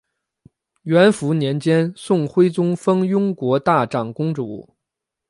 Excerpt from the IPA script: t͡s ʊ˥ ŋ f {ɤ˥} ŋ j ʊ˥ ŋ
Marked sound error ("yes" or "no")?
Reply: no